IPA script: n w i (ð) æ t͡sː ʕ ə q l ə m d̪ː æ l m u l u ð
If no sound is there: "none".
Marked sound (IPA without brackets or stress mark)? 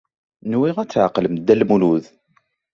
ʁ